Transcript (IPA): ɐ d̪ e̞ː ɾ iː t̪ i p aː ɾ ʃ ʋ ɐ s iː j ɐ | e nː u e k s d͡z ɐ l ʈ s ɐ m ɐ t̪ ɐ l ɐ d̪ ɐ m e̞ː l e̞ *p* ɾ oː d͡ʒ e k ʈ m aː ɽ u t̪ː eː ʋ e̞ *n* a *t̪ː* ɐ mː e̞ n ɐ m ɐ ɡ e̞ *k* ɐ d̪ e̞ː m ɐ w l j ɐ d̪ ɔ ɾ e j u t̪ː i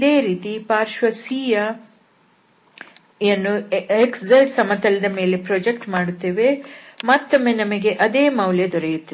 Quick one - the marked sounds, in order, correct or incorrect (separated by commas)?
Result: correct, incorrect, correct, incorrect